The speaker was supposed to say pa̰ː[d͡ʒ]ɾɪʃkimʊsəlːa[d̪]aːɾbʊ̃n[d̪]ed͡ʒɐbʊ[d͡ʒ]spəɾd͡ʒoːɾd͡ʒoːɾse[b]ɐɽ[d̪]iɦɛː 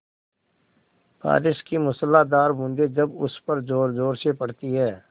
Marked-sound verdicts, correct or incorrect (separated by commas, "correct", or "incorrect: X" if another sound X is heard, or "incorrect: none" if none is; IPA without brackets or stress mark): incorrect: none, correct, correct, incorrect: none, incorrect: p, incorrect: t̪